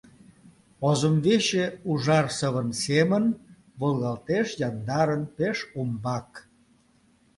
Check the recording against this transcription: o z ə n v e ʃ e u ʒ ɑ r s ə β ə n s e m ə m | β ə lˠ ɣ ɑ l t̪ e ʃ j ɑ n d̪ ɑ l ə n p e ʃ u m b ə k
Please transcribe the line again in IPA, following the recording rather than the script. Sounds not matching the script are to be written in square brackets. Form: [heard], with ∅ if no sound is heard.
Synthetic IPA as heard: o z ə [m] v e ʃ e u ʒ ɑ r s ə β ə n s e m ə [n] | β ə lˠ ɣ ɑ l t̪ e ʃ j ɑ n d̪ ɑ [ɾ] ə n p e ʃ u m b [ɑ] k